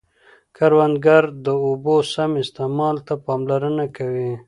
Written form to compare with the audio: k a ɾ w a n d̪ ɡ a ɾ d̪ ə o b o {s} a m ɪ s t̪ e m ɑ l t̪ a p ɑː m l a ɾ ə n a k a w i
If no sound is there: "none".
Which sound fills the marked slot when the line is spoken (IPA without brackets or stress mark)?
s